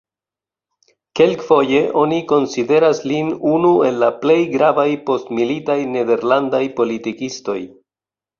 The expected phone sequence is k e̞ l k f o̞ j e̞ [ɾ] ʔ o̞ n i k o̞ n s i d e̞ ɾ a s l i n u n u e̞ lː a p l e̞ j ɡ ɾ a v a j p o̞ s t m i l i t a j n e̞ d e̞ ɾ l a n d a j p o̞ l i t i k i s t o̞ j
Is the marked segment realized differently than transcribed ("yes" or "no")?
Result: yes